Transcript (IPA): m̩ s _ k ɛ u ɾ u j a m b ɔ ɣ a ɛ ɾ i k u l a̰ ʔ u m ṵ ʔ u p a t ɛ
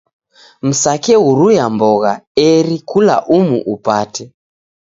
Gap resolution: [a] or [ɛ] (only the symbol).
a